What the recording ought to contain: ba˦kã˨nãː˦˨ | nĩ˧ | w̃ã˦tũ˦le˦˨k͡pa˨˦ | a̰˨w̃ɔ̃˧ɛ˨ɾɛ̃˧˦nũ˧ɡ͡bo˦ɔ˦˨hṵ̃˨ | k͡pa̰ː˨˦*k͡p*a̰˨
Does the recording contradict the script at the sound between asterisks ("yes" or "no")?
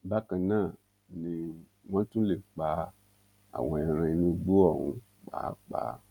no